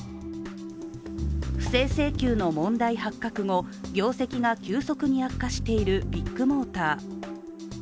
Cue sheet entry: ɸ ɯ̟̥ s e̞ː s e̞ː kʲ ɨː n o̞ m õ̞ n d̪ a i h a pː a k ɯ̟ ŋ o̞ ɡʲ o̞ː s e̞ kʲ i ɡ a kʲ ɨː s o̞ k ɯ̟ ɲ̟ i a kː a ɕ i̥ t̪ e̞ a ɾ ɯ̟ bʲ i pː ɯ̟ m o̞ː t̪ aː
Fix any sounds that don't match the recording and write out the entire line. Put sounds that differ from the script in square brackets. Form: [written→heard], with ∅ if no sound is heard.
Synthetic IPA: ɸ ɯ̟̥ s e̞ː s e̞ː kʲ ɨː n o̞ m õ̞ n d̪ a i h a [pː→kː] a k ɯ̟ ŋ o̞ ɡʲ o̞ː s e̞ kʲ i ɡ a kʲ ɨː s o̞ k ɯ̟ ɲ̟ i a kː a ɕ i̥ t̪ e̞ [a→i] ɾ ɯ̟ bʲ i [pː→kː] ɯ̟ m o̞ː t̪ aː